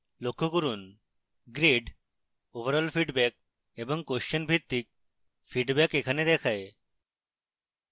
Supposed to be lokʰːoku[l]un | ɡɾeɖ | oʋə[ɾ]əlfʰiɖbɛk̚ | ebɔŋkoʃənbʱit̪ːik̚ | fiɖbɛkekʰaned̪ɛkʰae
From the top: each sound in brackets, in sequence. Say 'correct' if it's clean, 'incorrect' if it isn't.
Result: incorrect: ɾ, correct

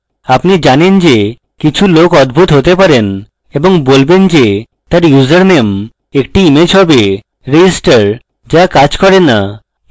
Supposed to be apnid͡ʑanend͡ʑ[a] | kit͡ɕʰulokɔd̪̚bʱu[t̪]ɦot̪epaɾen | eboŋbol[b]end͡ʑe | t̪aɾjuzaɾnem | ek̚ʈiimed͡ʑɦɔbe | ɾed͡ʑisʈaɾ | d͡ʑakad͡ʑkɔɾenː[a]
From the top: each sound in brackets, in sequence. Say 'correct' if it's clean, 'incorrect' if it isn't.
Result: incorrect: e, correct, correct, correct

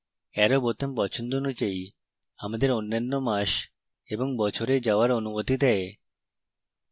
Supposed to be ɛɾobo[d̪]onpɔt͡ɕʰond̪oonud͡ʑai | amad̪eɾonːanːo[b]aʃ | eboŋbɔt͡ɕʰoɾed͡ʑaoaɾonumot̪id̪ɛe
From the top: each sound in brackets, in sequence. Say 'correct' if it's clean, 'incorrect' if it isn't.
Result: incorrect: t̪, incorrect: m

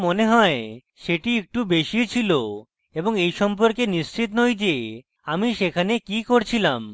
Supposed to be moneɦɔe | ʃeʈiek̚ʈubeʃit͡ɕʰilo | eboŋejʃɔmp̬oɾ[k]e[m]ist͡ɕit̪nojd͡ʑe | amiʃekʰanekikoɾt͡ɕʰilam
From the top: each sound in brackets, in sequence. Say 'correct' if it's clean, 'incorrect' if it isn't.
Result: correct, incorrect: n

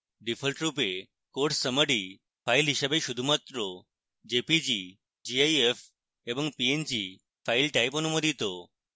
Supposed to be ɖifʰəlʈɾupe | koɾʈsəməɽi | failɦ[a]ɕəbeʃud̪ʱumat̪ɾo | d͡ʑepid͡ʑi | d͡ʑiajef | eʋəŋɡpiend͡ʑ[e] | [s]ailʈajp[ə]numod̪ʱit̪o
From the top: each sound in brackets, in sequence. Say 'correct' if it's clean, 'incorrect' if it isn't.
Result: incorrect: i, incorrect: i, incorrect: f, correct

